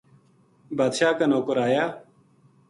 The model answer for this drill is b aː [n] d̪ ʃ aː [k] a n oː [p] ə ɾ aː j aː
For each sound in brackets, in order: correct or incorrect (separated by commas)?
incorrect, correct, incorrect